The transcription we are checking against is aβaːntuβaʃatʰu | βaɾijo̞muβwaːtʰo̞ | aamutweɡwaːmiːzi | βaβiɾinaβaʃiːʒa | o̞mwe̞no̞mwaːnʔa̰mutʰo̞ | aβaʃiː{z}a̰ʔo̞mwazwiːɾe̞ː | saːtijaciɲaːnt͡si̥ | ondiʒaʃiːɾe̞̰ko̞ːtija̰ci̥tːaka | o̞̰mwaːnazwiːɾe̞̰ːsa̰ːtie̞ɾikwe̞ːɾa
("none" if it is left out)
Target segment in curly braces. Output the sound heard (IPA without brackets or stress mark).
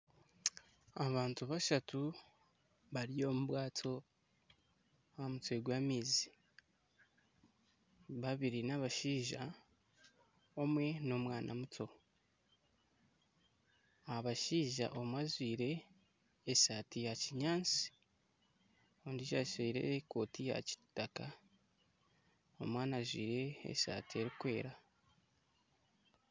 ʒ